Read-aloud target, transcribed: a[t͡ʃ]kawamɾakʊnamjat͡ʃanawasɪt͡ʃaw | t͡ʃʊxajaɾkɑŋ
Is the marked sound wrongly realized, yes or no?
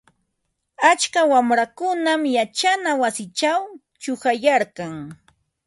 no